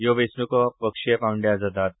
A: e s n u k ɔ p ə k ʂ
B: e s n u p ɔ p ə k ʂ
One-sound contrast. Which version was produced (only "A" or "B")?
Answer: A